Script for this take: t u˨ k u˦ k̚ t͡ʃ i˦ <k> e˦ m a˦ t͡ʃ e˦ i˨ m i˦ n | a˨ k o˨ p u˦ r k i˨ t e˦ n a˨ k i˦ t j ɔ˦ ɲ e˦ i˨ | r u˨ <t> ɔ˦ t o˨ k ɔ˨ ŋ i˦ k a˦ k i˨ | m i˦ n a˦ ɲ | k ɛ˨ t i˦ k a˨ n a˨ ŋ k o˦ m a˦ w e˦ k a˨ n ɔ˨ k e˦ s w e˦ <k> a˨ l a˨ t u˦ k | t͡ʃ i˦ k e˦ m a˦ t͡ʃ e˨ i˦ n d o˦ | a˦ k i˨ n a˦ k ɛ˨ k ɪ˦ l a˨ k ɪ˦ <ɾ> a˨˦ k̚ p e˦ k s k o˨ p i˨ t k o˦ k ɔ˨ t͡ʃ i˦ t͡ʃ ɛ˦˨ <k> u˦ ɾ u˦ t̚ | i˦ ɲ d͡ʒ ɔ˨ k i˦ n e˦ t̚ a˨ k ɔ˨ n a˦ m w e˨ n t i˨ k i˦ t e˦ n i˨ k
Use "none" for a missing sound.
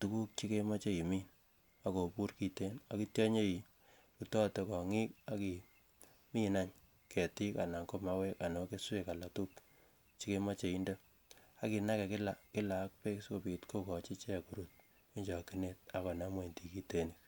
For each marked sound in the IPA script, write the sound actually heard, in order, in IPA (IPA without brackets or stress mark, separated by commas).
k, t, k, l, k